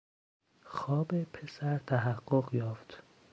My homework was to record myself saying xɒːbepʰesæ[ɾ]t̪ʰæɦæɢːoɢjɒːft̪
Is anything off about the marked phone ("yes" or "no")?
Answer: no